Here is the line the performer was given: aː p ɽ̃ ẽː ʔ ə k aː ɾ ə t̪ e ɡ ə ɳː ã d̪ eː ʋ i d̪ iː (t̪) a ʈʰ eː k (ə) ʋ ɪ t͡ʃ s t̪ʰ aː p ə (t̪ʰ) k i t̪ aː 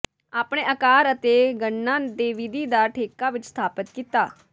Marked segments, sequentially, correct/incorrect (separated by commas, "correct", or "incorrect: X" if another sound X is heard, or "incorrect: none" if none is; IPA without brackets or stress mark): incorrect: d̪, incorrect: a, incorrect: t̪